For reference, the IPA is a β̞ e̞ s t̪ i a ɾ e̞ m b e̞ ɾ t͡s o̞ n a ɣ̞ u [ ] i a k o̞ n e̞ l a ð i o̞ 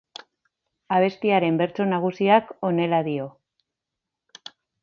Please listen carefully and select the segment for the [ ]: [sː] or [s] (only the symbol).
s